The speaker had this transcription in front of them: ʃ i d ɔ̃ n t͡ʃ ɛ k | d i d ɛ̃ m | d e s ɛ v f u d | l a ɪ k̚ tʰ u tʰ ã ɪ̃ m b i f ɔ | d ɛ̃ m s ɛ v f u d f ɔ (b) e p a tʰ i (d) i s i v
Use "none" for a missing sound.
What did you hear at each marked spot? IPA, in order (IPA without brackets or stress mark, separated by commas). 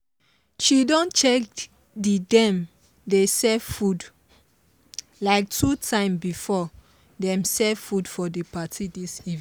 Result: d, d